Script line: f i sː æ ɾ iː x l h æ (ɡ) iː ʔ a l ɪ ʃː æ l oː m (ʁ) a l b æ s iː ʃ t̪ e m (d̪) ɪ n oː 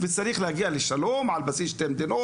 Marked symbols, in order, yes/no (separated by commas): yes, no, yes